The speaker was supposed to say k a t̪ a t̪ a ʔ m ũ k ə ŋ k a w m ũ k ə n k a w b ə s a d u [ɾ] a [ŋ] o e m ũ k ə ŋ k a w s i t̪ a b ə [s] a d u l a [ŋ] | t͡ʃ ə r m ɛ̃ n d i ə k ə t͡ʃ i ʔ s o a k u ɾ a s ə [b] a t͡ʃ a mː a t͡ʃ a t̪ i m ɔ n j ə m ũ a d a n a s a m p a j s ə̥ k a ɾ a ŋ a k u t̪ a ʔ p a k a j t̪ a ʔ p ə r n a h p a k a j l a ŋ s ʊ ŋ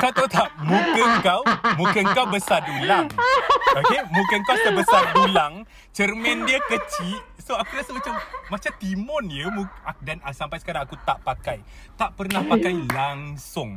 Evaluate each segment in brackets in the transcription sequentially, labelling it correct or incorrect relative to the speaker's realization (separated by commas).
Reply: incorrect, correct, correct, correct, incorrect